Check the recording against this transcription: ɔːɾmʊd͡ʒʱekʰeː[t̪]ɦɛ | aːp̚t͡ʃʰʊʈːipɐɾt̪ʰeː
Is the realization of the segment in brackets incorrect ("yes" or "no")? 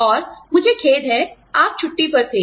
yes